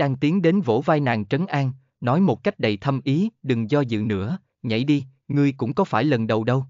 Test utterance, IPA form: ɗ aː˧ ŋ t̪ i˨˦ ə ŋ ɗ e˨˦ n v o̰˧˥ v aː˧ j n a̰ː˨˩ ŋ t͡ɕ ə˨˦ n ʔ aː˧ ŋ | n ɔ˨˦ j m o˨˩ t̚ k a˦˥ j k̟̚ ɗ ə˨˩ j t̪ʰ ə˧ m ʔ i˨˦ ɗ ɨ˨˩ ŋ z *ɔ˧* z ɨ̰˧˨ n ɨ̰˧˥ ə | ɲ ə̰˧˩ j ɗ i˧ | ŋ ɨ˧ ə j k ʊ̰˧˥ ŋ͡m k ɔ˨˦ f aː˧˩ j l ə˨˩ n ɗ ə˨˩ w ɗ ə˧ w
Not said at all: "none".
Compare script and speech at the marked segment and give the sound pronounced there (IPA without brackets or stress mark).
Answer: ɔ˧